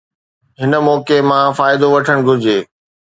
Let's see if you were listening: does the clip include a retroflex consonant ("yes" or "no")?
yes